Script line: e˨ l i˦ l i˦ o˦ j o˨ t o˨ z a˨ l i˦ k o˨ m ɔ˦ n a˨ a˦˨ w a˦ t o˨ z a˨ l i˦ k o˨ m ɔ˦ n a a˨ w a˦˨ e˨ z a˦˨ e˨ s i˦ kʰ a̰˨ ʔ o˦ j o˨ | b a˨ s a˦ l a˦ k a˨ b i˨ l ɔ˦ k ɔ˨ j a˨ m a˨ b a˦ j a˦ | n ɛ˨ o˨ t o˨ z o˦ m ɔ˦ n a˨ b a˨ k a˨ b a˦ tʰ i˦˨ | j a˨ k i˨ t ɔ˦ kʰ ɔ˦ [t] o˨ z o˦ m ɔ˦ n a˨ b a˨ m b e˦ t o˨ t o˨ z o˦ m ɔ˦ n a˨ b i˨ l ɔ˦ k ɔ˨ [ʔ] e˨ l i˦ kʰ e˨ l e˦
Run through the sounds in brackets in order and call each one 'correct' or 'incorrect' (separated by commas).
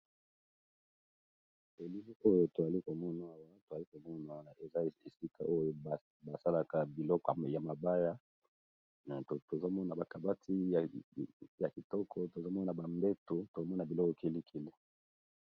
correct, incorrect